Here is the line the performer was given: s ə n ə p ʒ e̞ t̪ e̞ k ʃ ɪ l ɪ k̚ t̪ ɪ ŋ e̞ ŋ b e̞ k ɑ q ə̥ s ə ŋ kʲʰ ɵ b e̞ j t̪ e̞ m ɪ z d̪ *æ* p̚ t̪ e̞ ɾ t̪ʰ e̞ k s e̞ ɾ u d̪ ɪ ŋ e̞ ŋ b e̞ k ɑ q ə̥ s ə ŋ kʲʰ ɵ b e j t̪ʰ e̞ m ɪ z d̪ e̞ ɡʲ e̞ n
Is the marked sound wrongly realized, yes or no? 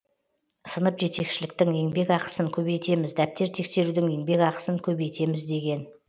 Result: no